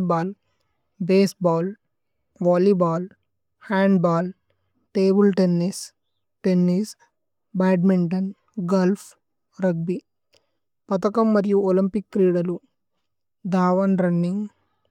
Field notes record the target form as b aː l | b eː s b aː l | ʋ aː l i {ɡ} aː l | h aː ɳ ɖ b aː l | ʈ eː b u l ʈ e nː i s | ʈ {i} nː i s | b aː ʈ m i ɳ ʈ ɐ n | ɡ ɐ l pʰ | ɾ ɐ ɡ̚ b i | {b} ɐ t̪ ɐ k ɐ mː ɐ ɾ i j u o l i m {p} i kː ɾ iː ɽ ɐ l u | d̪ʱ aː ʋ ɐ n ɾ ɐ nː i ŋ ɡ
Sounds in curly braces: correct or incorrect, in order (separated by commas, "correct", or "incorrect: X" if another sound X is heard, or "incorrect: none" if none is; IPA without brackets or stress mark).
incorrect: b, incorrect: e, incorrect: p, correct